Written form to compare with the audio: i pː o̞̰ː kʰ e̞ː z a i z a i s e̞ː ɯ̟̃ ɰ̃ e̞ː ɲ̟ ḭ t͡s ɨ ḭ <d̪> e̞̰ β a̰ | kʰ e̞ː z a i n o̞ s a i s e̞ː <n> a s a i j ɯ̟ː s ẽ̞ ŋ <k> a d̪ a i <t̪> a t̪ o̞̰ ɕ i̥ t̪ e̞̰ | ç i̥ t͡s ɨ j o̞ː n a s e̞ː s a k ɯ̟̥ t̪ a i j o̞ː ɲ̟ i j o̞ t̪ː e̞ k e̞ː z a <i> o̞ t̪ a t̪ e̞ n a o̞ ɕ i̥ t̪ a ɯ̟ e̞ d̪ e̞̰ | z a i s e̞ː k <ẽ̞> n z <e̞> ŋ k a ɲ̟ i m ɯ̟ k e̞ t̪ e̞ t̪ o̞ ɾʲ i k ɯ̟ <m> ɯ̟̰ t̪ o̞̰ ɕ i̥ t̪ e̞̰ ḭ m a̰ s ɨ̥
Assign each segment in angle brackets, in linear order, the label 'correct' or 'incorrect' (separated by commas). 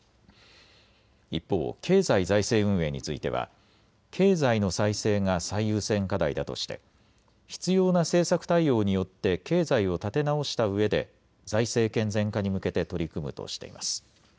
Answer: incorrect, incorrect, correct, incorrect, correct, correct, incorrect, correct